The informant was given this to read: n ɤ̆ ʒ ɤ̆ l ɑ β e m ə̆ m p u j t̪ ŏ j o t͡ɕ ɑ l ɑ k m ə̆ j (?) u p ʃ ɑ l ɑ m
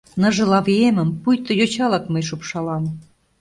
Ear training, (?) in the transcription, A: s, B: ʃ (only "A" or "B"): B